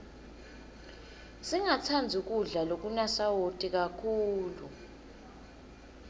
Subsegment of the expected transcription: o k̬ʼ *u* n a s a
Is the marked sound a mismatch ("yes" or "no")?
no